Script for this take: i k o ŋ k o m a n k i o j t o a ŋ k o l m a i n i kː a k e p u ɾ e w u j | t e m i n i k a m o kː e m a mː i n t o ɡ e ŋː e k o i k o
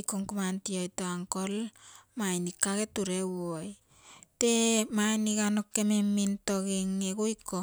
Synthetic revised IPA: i k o ŋ k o m a n t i o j t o a ŋ k o l m a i n i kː a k e t u ɾ e w o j | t e m a n i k a n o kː e m e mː i n t o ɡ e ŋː e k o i k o